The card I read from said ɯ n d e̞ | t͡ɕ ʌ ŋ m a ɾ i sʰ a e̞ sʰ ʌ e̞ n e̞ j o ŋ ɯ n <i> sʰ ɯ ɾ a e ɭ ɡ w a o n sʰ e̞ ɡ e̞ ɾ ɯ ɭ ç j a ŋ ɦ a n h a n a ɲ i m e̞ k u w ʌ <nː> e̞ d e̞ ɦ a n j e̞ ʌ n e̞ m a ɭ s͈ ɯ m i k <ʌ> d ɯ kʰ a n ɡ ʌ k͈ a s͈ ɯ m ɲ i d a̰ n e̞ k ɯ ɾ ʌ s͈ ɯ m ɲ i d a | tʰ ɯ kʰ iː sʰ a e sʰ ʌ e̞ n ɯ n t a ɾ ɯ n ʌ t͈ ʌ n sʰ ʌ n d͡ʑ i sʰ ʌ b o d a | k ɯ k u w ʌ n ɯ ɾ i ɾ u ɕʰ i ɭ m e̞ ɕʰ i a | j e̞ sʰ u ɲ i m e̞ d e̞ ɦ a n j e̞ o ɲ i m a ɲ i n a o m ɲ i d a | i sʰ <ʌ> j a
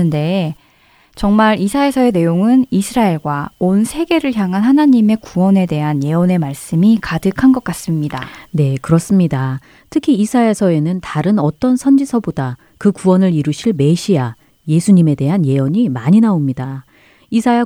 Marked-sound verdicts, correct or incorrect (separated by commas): correct, incorrect, incorrect, incorrect